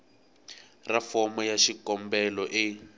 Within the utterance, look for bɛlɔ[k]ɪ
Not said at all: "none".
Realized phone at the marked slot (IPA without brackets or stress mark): ʔ